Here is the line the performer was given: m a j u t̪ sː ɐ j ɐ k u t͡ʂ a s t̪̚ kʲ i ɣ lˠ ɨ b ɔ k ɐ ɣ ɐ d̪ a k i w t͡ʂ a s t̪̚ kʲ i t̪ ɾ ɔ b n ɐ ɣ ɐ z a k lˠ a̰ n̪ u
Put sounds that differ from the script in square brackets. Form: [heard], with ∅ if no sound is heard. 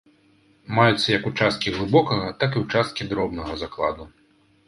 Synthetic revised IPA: m a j u t̪ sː ɐ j ɐ k u t͡ʂ a s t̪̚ kʲ i ɣ lˠ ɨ b ɔ k ɐ ɣ ɐ [t̪] a k i w t͡ʂ a s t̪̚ kʲ i [d̪] ɾ ɔ b n ɐ ɣ ɐ z a k lˠ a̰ [d̪] u

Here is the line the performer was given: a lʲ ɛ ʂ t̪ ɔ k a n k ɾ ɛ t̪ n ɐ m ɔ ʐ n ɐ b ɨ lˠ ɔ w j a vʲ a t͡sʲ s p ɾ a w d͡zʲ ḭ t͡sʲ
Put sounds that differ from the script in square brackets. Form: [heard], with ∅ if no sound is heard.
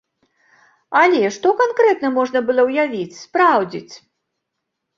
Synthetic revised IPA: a lʲ ɛ ʂ t̪ ɔ k a n k ɾ ɛ t̪ n ɐ m ɔ ʐ n ɐ b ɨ lˠ ɔ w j a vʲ [i] t͡sʲ s p ɾ a w d͡zʲ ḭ t͡sʲ

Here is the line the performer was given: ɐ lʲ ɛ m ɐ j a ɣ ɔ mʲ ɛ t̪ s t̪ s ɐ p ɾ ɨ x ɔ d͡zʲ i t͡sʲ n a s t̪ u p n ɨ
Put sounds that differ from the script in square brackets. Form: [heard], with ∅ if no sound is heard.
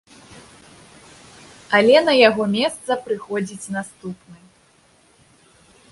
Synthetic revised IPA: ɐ lʲ ɛ [n] ɐ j a ɣ ɔ mʲ ɛ [∅] s t̪ s ɐ p ɾ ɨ x ɔ d͡zʲ i t͡sʲ n a s t̪ u p n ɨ

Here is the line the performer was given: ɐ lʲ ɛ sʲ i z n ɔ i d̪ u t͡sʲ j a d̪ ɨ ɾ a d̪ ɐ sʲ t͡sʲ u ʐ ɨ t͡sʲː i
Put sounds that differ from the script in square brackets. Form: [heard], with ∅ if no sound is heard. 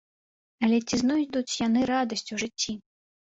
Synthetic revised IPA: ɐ lʲ ɛ [t͡sʲ] i z n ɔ [j] d̪ u t͡sʲ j a [n̪] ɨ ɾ a d̪ ɐ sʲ t͡sʲ u ʐ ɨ t͡sʲː i

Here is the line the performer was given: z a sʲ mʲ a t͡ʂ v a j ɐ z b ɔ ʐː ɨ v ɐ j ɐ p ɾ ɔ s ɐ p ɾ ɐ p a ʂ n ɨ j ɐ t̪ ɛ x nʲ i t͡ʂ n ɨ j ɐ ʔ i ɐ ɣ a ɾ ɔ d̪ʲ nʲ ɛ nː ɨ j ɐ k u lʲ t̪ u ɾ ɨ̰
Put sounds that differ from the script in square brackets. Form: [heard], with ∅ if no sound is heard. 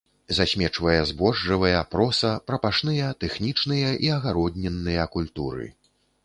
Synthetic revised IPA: z a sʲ mʲ [ɛ] t͡ʂ v [ɐ] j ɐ z b ɔ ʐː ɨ v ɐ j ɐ p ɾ ɔ s ɐ p ɾ ɐ p a ʂ n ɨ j ɐ t̪ ɛ x nʲ i t͡ʂ n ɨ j ɐ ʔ i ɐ ɣ a ɾ ɔ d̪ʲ nʲ ɛ nː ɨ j ɐ k u lʲ t̪ u ɾ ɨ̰

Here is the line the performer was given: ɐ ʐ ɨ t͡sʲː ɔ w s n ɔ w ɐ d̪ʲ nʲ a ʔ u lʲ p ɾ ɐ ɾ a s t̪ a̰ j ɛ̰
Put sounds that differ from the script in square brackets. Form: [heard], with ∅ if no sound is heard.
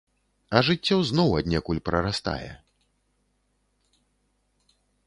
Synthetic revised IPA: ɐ ʐ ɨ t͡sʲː ɔ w [z] n ɔ w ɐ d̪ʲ nʲ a [k] u lʲ p ɾ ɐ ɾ a s t̪ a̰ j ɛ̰

